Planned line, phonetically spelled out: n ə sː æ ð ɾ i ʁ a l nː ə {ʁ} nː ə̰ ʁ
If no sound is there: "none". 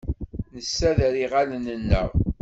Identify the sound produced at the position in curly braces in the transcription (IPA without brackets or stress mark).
none